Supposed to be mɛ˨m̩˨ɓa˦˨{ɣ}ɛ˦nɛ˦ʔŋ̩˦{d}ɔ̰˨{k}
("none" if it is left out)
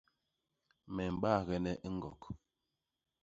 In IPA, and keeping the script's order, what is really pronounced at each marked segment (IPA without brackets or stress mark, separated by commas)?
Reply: ɣ, ɡ, k